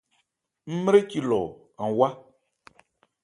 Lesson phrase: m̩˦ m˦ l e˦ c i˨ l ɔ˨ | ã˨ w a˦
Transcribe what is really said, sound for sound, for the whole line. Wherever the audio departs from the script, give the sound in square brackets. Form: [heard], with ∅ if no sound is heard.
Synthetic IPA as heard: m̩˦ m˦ [ɾ] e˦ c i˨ l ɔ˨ | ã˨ w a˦